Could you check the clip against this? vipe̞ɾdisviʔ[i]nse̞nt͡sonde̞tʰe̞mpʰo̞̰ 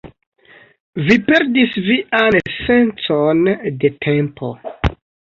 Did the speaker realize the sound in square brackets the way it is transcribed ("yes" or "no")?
no